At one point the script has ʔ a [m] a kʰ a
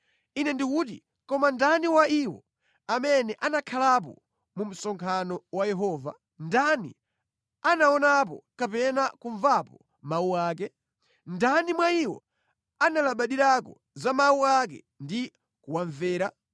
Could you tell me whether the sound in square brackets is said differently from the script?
yes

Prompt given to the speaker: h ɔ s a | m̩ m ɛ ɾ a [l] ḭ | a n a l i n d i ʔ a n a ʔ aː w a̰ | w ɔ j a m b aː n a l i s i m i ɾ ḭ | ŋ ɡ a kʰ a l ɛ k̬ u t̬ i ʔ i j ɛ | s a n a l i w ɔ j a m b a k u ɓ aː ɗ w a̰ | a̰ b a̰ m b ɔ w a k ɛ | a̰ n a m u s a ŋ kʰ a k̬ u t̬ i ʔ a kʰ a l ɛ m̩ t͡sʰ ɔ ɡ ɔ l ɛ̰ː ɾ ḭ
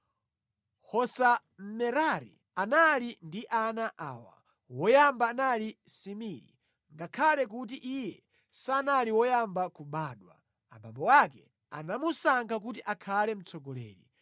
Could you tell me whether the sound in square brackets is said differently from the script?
yes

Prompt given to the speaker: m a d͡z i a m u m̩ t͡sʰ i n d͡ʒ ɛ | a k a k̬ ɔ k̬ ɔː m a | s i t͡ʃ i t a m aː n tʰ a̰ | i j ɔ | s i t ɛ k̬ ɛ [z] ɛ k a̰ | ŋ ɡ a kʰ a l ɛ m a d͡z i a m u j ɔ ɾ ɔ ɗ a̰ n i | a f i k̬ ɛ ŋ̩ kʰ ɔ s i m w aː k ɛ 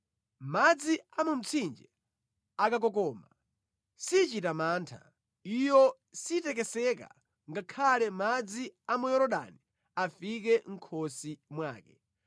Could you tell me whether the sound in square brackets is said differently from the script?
yes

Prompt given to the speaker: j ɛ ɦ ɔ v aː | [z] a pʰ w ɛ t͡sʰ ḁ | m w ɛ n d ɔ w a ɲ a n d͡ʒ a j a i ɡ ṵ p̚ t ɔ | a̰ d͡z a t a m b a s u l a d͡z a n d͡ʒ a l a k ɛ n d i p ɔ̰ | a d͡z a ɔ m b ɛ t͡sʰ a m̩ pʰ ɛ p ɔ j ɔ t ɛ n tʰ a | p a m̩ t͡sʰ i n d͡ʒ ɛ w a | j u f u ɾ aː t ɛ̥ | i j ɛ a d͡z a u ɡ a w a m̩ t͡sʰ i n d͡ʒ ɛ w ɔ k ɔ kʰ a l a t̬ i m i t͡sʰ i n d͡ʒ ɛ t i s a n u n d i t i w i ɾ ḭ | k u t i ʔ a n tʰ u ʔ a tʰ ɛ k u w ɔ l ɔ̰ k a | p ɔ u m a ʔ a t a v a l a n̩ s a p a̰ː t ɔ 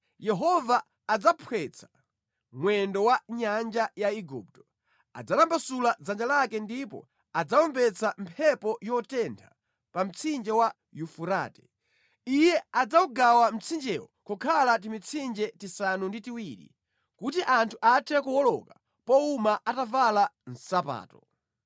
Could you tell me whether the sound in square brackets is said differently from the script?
yes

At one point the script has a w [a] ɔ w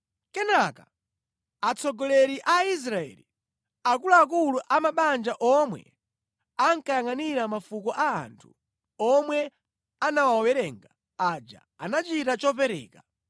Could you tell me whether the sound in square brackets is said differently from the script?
no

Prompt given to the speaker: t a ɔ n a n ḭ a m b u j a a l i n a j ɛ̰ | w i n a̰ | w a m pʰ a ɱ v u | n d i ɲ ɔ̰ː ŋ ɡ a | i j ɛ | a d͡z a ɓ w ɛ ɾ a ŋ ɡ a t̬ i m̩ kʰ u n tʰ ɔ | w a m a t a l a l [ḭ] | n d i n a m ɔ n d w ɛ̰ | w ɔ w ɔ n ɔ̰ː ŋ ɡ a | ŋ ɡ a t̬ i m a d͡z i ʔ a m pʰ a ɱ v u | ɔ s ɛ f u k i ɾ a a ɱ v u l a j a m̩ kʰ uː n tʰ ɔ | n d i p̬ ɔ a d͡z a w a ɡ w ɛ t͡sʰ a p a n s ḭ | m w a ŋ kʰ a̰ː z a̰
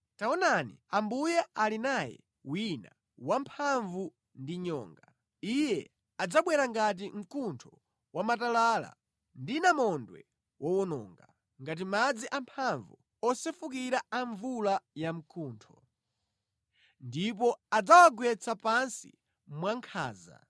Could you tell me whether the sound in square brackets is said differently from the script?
yes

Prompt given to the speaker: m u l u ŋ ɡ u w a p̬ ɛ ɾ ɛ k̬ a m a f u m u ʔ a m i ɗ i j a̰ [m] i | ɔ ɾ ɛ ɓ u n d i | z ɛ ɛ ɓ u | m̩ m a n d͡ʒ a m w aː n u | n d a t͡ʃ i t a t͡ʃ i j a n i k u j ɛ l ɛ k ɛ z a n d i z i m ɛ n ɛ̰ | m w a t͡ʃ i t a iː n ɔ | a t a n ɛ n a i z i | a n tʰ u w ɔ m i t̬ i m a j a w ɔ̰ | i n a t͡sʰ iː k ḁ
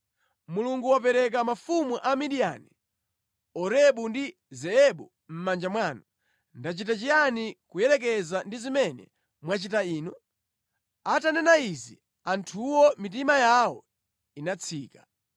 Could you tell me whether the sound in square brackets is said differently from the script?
yes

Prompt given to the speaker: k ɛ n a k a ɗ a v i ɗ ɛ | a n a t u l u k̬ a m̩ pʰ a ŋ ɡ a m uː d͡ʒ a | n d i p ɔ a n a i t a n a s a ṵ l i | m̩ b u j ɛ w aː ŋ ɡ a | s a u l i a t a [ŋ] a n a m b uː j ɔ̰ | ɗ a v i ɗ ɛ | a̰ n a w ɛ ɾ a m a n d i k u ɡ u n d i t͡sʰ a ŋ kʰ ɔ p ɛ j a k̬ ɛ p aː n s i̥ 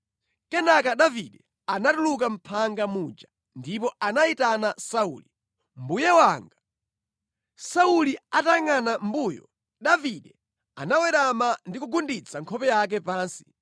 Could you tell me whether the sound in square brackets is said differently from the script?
no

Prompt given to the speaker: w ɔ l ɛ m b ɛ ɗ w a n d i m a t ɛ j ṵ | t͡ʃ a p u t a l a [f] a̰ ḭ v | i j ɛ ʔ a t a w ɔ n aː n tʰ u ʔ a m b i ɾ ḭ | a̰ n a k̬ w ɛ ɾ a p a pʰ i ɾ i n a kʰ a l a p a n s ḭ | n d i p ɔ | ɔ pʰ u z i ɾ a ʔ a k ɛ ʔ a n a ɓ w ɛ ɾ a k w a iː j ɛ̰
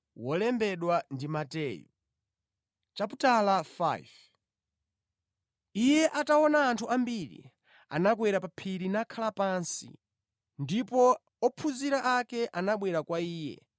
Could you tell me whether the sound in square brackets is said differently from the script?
no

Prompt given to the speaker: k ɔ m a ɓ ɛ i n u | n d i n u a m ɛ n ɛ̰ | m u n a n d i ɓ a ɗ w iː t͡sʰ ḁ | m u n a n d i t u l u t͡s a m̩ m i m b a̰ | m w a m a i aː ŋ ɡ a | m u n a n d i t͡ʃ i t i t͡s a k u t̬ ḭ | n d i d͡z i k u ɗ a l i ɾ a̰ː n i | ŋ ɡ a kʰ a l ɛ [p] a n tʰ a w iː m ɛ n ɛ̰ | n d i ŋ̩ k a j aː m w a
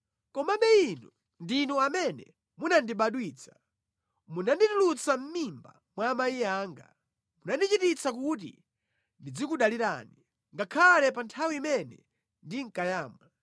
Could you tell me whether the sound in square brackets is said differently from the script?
no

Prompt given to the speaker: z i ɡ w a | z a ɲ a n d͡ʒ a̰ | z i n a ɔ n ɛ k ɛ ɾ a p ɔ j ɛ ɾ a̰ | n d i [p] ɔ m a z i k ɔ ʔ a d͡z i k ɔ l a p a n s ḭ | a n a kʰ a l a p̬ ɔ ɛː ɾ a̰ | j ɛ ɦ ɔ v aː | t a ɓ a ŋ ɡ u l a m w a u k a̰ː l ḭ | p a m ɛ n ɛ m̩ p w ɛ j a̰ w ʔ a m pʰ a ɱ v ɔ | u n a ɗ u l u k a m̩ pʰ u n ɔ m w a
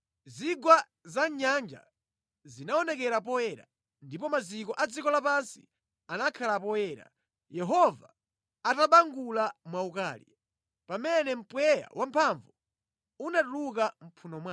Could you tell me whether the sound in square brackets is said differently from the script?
no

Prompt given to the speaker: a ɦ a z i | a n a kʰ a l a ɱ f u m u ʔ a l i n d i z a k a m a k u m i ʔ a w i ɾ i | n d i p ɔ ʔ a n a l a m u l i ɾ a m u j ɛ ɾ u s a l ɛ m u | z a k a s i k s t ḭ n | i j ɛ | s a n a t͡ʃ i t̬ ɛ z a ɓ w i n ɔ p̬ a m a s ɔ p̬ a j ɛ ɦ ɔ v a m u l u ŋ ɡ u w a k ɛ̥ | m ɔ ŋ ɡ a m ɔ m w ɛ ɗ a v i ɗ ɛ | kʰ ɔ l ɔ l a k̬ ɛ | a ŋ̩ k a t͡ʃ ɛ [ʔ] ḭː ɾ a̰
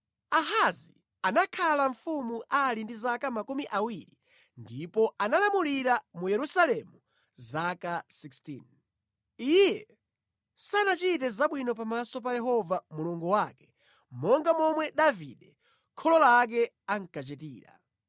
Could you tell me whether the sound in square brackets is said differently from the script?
yes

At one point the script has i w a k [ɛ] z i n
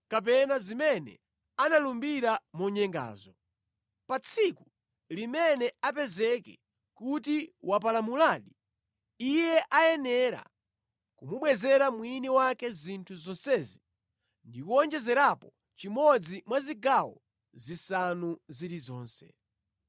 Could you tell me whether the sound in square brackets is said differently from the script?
no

